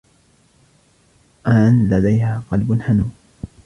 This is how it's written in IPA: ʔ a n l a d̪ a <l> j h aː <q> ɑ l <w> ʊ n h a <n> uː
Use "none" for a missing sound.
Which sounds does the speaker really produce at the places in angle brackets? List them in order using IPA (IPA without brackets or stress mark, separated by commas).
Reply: none, q, b, n